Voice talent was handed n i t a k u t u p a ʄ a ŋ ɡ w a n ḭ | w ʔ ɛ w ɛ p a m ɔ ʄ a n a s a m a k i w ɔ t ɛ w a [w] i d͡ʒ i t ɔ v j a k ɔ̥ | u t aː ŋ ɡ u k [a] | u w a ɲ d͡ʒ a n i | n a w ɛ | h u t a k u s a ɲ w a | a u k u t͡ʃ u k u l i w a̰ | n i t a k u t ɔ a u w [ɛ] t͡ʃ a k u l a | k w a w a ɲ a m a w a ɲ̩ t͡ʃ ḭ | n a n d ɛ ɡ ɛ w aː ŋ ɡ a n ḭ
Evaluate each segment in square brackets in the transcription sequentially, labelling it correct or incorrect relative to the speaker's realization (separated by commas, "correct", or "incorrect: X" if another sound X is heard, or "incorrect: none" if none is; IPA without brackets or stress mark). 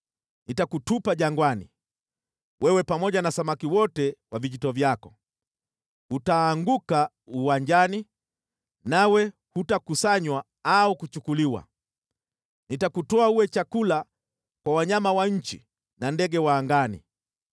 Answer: incorrect: v, correct, correct